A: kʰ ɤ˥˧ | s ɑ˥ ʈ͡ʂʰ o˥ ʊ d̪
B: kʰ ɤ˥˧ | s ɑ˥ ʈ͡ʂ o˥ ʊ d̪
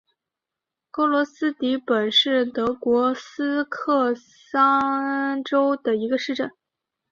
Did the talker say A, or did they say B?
B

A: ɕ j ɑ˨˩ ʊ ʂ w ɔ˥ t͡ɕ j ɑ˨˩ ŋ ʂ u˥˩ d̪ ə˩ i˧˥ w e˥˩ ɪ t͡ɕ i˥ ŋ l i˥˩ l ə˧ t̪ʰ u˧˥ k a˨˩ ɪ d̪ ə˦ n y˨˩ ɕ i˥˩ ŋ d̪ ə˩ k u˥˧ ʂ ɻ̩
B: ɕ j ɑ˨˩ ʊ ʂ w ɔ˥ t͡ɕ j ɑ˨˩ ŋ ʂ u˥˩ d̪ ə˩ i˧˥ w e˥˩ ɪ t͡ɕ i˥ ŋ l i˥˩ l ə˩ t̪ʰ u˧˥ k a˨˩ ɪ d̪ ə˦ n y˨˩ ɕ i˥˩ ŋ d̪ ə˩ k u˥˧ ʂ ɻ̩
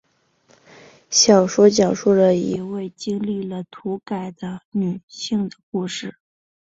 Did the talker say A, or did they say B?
B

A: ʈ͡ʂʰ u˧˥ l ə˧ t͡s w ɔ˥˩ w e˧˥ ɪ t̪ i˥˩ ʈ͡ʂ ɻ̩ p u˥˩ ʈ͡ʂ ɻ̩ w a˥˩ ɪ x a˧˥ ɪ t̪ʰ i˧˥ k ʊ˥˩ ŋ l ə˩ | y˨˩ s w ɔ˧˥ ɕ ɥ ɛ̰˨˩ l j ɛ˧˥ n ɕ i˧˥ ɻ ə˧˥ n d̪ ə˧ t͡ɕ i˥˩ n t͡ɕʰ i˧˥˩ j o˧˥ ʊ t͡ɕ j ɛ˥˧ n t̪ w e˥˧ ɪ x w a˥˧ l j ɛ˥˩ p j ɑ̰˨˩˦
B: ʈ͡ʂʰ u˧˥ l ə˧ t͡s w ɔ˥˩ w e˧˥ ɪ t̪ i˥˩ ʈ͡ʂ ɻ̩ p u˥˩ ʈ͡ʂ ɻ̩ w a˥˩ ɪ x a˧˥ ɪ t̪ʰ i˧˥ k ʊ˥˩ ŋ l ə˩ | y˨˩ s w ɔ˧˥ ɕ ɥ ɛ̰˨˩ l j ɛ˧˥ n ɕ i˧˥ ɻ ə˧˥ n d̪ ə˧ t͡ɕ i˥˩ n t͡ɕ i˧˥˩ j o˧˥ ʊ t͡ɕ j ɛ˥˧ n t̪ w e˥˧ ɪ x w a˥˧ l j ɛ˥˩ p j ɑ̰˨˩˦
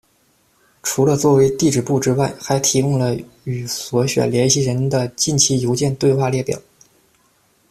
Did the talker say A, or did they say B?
A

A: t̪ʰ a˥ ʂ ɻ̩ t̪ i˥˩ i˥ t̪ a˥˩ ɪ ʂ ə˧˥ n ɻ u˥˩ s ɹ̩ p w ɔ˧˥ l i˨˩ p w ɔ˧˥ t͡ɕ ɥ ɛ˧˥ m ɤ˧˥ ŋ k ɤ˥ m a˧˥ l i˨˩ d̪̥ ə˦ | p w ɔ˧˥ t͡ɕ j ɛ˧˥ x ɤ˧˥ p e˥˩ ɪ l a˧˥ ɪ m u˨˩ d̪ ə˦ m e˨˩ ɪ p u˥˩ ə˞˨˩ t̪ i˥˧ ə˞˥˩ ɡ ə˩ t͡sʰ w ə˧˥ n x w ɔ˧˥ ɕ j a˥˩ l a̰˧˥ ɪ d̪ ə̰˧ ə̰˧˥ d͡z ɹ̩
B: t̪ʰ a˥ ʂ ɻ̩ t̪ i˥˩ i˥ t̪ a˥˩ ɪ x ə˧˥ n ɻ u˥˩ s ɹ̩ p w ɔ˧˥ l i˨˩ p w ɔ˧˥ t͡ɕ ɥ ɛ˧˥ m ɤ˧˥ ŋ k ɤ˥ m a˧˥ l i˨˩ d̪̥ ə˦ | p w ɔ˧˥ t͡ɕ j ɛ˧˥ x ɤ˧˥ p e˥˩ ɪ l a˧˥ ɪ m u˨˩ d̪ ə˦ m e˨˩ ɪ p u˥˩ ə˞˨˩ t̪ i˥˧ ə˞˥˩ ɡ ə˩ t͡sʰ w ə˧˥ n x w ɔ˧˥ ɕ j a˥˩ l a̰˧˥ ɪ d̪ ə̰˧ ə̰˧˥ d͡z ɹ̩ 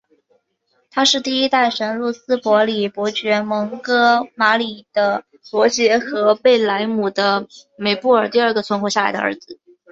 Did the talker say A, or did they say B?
A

